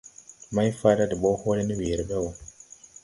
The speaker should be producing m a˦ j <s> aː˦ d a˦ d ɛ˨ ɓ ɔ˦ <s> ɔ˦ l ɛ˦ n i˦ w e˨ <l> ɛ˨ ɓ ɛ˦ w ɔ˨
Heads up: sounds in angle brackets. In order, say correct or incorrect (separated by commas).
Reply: incorrect, incorrect, incorrect